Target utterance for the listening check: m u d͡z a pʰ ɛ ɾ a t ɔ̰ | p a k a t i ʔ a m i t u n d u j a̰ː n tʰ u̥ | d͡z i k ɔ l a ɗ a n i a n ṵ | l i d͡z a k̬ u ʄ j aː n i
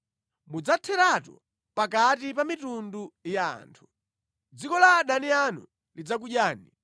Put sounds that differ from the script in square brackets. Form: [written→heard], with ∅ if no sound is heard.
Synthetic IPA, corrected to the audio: m u d͡z a [pʰ→tʰ] ɛ ɾ a t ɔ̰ | p a k a t i [ʔ→p] a m i t u n d u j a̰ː n tʰ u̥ | d͡z i k ɔ l a ɗ a n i a n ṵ | l i d͡z a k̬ u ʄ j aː n i